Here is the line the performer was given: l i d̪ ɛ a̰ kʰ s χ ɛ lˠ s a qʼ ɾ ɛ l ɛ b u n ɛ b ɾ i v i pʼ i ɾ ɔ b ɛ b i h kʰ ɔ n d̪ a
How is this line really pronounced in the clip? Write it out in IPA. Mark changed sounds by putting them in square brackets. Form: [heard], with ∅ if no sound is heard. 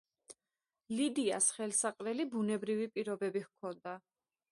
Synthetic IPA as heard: l i d̪ [i] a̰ [∅] s χ ɛ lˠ s a qʼ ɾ ɛ l [i] b u n ɛ b ɾ i v i pʼ i ɾ ɔ b ɛ b i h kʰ ɔ n d̪ a